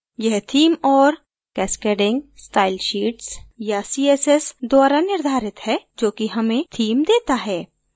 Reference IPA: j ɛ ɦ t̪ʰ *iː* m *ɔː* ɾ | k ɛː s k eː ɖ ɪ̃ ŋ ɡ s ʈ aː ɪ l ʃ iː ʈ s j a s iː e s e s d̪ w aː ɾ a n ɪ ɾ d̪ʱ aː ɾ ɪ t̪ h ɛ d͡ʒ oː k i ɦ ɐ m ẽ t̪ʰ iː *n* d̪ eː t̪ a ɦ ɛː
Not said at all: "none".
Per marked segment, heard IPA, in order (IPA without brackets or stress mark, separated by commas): iː, ɔː, m